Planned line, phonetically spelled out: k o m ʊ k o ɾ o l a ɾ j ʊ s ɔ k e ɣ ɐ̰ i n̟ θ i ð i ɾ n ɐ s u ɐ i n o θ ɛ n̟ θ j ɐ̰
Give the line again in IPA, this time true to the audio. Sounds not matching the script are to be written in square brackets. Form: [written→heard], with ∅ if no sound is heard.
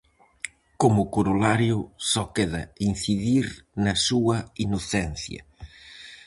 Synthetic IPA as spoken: k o m ʊ k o ɾ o l a ɾ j ʊ s ɔ k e [ɣ→ð] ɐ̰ i n̟ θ i ð i ɾ n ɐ s u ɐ i n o θ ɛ n̟ θ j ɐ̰